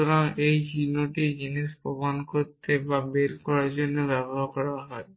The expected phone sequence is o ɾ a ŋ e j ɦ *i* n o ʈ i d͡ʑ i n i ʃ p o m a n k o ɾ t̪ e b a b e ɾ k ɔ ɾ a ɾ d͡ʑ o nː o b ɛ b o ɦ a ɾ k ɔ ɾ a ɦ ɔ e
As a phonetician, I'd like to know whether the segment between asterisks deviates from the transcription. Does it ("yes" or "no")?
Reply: no